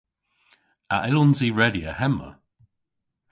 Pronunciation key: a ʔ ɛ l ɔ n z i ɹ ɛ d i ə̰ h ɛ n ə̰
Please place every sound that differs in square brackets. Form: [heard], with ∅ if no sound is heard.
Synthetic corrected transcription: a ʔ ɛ l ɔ n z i ɹ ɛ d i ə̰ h ɛ [m] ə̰